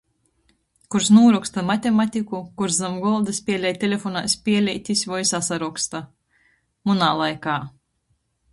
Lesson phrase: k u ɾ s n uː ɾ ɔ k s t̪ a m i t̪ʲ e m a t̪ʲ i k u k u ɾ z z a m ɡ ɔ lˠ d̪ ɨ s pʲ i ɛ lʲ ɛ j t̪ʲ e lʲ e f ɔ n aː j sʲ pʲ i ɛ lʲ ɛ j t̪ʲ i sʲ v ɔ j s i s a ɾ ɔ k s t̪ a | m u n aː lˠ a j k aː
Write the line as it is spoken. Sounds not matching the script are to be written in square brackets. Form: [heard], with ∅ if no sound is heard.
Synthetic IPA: k u ɾ s n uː ɾ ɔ k s t̪ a m [a] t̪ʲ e m a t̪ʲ i k u k u ɾ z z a m ɡ ɔ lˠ d̪ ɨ s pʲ i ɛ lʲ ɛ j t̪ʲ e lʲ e f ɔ n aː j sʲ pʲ i ɛ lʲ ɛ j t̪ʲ i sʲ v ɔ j s [a] s a ɾ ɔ k s t̪ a | m u n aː lˠ a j k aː